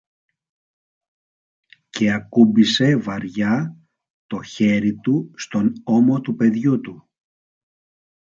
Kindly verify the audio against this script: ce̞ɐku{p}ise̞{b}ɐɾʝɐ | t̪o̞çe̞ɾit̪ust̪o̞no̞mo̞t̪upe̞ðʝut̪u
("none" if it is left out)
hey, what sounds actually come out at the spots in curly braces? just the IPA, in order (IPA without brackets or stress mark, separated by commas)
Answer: b, v